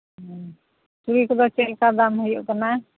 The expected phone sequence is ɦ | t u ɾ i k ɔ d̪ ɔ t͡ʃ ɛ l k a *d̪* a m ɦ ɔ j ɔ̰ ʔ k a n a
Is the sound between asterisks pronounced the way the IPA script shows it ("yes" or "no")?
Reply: yes